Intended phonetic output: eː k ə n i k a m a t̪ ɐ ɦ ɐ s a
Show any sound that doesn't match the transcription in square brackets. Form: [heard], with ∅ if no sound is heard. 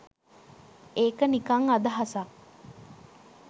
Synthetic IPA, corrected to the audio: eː k ə n i k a [ŋ] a [d̪] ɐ ɦ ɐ s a